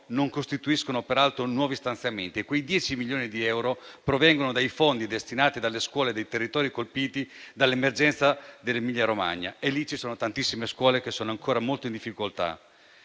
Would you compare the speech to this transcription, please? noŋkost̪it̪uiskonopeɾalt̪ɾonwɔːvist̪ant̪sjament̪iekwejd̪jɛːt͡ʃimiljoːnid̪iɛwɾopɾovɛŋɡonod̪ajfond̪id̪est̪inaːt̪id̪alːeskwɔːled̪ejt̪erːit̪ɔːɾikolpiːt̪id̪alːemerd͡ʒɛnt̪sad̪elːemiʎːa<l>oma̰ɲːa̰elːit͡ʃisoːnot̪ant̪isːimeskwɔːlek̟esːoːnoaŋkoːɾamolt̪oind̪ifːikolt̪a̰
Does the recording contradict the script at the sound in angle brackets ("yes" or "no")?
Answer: yes